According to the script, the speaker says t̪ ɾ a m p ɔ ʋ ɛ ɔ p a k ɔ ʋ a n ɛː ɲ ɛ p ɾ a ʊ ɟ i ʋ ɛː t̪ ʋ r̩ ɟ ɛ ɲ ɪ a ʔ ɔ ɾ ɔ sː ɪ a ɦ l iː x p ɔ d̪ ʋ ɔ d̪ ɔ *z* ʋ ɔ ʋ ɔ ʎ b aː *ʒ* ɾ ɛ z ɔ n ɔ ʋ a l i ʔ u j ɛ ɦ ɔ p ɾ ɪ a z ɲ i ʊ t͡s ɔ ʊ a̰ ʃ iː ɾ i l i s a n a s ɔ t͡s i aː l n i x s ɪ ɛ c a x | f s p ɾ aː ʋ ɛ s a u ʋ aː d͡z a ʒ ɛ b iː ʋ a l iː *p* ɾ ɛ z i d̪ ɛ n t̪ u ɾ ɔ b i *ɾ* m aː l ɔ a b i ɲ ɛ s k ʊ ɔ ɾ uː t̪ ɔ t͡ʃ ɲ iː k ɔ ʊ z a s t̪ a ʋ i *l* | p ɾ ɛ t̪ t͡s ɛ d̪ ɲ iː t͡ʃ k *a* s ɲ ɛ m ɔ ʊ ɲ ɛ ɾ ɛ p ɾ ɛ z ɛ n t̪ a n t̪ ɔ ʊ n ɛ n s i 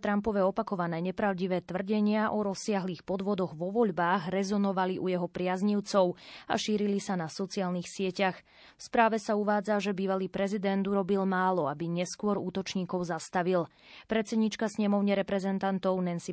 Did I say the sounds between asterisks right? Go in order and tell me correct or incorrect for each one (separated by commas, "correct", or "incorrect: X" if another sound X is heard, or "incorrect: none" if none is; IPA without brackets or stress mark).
incorrect: ɣ, incorrect: ɣ, correct, incorrect: l, correct, correct